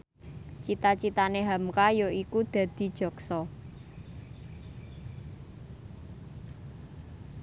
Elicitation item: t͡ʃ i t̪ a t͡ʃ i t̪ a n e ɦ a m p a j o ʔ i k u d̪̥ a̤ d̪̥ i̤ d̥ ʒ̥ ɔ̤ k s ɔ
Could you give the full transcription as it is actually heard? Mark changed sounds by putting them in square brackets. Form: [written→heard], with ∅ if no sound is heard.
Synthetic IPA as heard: t͡ʃ i t̪ a t͡ʃ i t̪ a n e ɦ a m [p→k] a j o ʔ i k u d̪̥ a̤ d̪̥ i̤ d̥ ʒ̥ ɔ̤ k s ɔ